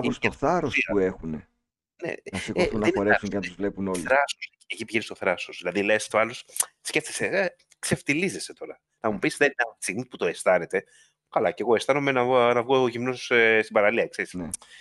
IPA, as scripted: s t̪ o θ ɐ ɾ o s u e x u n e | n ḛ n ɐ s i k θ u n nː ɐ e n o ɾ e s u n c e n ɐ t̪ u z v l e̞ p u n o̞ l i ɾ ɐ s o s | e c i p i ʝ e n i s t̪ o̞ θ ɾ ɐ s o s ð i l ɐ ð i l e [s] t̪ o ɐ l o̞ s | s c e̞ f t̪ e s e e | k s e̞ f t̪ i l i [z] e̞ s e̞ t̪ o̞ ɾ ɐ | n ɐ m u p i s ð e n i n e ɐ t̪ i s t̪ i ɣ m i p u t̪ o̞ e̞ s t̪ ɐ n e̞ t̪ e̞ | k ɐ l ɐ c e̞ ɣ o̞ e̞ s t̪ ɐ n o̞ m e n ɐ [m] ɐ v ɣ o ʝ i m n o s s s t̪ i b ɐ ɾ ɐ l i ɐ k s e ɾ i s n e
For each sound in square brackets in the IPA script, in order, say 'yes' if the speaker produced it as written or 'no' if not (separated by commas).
yes, yes, no